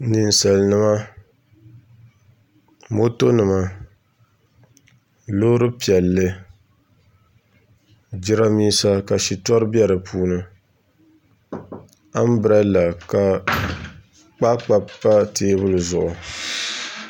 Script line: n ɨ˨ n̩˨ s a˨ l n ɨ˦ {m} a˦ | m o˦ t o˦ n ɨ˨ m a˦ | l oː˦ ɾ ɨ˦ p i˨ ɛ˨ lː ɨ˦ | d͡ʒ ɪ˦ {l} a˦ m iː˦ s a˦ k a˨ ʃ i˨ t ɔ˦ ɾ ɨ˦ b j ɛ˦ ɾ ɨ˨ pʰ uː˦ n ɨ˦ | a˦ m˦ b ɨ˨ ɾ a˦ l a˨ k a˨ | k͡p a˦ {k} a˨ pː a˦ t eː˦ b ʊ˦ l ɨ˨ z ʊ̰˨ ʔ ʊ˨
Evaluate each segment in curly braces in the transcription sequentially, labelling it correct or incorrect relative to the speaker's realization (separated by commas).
correct, incorrect, incorrect